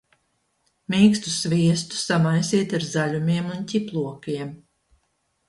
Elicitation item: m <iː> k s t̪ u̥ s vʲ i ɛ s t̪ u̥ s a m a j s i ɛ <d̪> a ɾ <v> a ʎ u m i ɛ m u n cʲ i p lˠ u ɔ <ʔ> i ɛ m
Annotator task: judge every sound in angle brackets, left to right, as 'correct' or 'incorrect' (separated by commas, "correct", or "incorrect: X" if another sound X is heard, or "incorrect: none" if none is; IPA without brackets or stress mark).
correct, incorrect: t̪, incorrect: z, incorrect: k